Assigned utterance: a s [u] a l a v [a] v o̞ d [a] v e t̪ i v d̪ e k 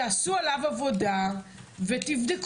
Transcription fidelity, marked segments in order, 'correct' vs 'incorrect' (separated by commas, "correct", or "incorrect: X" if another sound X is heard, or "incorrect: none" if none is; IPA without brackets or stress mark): correct, correct, correct